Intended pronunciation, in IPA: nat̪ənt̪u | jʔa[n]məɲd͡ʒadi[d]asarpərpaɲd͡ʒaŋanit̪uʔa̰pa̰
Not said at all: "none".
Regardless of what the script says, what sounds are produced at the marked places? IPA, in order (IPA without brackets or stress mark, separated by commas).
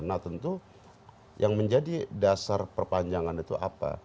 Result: ŋ, d